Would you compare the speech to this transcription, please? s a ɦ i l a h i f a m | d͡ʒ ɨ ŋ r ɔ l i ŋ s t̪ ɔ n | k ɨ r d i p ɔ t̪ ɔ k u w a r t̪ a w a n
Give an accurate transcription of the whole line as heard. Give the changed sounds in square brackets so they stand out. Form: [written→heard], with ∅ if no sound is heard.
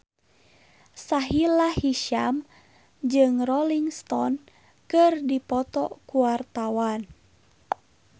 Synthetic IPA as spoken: s a ɦ i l a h i [f→ʃ] a m | d͡ʒ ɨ ŋ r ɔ l i ŋ s t̪ ɔ n | k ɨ r d i p ɔ t̪ ɔ k u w a r t̪ a w a n

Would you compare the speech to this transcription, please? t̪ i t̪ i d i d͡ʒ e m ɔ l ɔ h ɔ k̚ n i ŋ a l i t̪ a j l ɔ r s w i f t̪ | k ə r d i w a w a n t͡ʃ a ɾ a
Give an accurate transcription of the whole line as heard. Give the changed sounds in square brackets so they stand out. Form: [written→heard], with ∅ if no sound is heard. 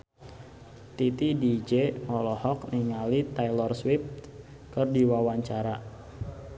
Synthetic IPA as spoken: t̪ i t̪ i d i d͡ʒ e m ɔ l ɔ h ɔ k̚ n i ŋ a l i t̪ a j l ɔ r s w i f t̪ | k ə r d i w a w a [n→ɲ] t͡ʃ a ɾ a

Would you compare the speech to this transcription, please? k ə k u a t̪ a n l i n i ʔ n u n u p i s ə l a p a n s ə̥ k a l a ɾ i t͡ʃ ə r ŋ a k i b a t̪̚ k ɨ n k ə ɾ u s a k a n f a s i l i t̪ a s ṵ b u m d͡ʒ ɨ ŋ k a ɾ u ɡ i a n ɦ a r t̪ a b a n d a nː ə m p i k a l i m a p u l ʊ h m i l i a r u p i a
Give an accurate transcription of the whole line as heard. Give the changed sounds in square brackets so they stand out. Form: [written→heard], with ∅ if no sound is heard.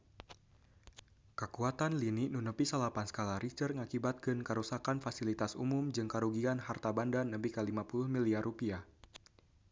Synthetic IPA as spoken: k ə k u a t̪ a n l i n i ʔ n u n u p i s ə l a p a n s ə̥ k a l a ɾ i t͡ʃ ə r ŋ a k i b a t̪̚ k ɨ n k ə ɾ u s a k a n f a s i l i t̪ a s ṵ [b→m] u m d͡ʒ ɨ ŋ k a ɾ u ɡ i a n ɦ a r t̪ a b a n d a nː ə m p i k a l i m a p u l ʊ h m i l i a r u p i a

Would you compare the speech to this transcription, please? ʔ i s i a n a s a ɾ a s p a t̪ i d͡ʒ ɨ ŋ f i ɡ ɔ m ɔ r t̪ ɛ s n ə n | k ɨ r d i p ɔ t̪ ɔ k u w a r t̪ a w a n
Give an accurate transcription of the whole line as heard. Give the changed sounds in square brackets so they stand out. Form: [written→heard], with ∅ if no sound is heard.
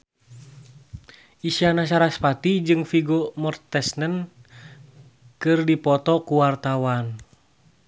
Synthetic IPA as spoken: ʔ i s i a n a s a ɾ a s p a t̪ i d͡ʒ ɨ ŋ f i ɡ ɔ m ɔ r t̪ ɛ s n ə n | k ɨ r d i p ɔ t̪ ɔ k u w a r t̪ a w a n

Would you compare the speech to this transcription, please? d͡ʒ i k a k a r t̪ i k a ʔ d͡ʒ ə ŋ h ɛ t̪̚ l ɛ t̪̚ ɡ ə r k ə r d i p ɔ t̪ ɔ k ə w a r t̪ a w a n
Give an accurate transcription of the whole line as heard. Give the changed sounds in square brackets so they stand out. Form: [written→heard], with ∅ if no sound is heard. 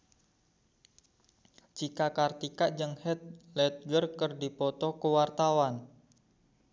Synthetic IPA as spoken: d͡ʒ i k a k a r t̪ i k a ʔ d͡ʒ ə ŋ h ɛ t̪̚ l ɛ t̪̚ ɡ ə r k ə r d i p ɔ t̪ ɔ k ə w a r t̪ a w a n

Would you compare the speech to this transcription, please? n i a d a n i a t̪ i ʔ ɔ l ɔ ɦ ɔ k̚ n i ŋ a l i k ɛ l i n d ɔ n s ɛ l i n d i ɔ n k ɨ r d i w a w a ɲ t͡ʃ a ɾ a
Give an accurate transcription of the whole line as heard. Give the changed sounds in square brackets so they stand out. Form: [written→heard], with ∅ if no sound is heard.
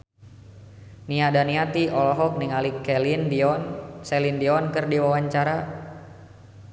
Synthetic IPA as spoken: n i a d a n i a t̪ i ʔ ɔ l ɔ ɦ ɔ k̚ n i ŋ a l i k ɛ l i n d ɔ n s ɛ l i n d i ɔ n k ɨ r d i w a w a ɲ t͡ʃ a ɾ a

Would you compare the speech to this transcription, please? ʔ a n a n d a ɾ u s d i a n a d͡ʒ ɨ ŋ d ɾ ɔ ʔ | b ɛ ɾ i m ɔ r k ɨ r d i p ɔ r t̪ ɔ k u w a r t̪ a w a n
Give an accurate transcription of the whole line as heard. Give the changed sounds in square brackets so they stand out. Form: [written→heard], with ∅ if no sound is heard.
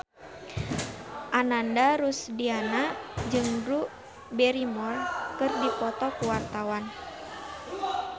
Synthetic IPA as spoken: ʔ a n a n d a ɾ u s d i a n a d͡ʒ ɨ ŋ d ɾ [ɔ→u] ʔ | b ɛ ɾ i m ɔ r k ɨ r d i p ɔ [r→∅] t̪ ɔ k u w a r t̪ a w a n

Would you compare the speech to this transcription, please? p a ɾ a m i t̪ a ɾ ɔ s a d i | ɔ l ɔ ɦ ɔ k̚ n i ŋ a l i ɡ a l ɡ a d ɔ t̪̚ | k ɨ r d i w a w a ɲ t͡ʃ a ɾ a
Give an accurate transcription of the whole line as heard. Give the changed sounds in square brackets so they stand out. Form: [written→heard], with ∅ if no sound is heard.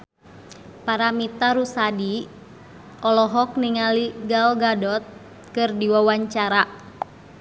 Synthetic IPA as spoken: p a ɾ a m i t̪ a ɾ [ɔ→u] s a d i | ɔ l ɔ ɦ ɔ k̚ n i ŋ a l i ɡ a l ɡ a d ɔ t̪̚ | k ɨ r d i w a w a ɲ t͡ʃ a ɾ a

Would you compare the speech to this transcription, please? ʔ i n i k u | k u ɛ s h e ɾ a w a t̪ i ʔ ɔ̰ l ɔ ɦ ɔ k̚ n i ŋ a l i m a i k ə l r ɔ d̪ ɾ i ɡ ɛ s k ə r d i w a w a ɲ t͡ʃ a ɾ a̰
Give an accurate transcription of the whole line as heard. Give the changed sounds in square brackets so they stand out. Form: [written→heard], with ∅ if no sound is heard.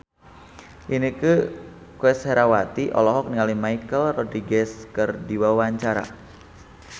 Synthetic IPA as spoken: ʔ i n i k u | k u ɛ s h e ɾ a w a t̪ i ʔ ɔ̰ l ɔ ɦ ɔ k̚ n i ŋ a l i m a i k ə l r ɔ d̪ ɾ i ɡ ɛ s k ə r d i w a w a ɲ t͡ʃ a ɾ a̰

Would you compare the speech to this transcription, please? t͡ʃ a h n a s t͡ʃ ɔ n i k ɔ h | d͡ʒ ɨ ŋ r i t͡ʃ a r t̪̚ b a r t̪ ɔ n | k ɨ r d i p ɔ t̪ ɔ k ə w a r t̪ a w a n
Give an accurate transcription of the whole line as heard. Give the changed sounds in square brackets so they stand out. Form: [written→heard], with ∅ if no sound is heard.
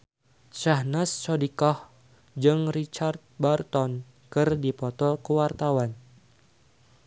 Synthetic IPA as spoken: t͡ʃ a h n a s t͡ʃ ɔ [n→d] i k ɔ h | d͡ʒ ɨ ŋ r i t͡ʃ a r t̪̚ b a r t̪ ɔ n | k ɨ r d i p ɔ t̪ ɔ k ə w a r t̪ a w a n

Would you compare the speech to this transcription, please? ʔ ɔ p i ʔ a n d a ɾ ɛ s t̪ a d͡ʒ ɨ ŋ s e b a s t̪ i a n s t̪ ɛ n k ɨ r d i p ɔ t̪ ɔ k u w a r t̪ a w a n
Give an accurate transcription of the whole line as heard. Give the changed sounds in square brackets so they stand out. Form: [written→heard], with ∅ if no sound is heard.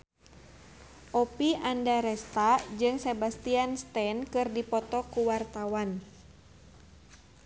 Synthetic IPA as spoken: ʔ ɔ p i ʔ a n d a ɾ ɛ s t̪ a d͡ʒ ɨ ŋ s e b a s t̪ i a n s t̪ ɛ n k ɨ r d i p ɔ t̪ ɔ k u w a r t̪ a w a n

